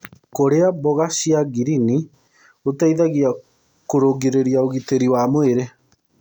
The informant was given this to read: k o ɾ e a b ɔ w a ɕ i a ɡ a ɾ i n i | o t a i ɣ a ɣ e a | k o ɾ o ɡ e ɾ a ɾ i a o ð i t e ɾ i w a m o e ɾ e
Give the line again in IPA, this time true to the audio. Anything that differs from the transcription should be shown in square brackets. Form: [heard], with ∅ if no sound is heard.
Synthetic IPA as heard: k o ɾ e a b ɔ [ɣ] a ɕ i a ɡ [i] ɾ i n i | o t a i [ð] a ɣ [i] a | k o ɾ o ɡ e ɾ [e] ɾ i a o [ɣ] i t e ɾ i w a m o e ɾ e